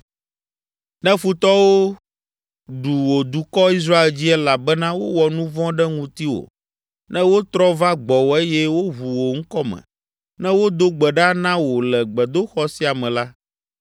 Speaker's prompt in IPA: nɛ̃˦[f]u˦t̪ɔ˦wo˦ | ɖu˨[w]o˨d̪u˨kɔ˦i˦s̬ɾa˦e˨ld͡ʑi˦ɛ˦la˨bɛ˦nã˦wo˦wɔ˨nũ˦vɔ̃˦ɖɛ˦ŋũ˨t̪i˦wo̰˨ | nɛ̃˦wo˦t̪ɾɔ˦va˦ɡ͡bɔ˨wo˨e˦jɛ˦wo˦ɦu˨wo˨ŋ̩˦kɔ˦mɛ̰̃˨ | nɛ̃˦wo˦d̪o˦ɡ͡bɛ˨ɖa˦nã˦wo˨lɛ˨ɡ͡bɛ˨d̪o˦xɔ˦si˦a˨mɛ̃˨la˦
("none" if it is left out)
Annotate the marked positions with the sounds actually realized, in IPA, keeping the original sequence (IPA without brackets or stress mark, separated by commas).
f, w